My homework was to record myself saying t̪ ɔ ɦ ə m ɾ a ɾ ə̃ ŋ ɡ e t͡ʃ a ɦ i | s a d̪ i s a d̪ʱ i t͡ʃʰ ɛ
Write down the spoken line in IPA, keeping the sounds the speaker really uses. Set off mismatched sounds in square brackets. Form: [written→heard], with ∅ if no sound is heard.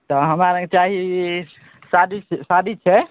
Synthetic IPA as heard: t̪ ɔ ɦ ə m ɾ a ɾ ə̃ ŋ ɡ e t͡ʃ a ɦ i | s a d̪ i s a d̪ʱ i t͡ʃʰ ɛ